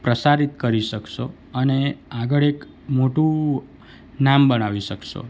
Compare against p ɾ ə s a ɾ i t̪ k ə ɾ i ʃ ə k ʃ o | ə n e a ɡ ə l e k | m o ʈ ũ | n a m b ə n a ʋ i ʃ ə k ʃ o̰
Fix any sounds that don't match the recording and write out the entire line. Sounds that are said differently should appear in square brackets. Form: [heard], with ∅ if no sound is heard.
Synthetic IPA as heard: p ɾ ə s a ɾ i t̪ k ə ɾ i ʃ ə k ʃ o | ə n e a ɡ ə [ɭ] e k | m o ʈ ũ | n a m b ə n a ʋ i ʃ ə k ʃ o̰